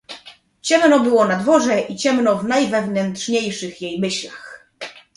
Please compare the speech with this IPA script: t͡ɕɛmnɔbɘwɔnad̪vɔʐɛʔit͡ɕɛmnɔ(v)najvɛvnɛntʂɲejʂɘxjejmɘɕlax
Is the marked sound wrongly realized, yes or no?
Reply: no